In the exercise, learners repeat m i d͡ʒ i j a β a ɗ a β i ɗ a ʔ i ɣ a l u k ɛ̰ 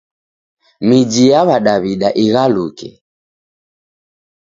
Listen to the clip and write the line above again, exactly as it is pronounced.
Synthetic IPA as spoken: m i d͡ʒ i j a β a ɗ a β i ɗ a ʔ i ɣ a l u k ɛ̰